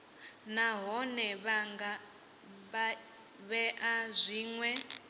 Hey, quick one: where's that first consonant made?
tongue tip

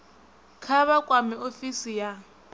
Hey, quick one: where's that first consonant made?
velum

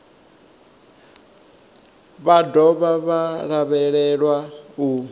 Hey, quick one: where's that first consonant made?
lips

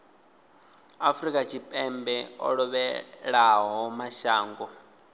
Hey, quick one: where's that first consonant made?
lips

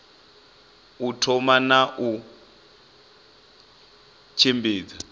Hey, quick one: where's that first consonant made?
tongue tip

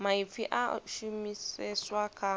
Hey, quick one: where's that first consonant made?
lips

